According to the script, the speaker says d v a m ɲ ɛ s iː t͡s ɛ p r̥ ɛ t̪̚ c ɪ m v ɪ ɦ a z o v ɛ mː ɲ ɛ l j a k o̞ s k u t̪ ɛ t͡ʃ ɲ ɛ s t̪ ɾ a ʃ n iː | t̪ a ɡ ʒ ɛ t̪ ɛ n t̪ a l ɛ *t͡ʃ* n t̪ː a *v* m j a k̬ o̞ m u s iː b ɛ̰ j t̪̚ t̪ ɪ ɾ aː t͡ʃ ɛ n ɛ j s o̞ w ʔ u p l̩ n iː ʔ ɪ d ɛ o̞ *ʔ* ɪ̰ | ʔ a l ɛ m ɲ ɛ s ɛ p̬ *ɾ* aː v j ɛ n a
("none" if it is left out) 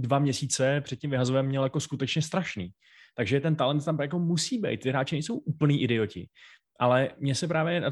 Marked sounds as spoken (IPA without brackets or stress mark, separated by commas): none, none, c, ɾ